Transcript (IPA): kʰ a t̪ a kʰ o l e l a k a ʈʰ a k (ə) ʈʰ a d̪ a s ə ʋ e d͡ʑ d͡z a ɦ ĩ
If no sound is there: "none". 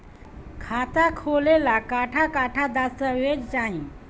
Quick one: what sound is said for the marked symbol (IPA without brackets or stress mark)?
a